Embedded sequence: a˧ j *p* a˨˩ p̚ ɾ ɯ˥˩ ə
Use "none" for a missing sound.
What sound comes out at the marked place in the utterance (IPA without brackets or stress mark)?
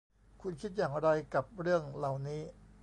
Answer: k